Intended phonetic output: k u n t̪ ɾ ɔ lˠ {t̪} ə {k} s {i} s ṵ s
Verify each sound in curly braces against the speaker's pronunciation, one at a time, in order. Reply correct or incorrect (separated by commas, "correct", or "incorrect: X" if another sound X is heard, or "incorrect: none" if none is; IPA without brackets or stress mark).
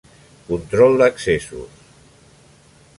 incorrect: d̪, correct, incorrect: e